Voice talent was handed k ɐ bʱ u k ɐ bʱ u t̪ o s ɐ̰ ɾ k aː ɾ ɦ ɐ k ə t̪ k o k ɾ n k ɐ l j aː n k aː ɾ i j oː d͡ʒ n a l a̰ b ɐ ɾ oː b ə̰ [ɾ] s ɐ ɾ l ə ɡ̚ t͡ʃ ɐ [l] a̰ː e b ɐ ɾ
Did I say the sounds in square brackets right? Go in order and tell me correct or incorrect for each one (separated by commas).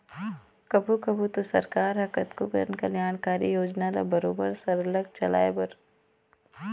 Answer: correct, correct